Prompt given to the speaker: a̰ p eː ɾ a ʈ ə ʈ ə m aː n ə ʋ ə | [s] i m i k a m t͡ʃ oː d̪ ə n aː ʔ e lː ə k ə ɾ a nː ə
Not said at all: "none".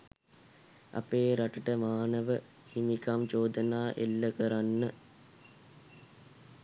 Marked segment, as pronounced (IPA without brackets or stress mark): h